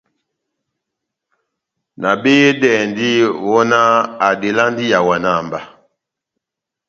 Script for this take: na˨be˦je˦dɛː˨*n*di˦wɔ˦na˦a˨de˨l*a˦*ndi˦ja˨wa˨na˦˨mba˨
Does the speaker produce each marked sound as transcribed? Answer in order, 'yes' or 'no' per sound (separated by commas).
yes, yes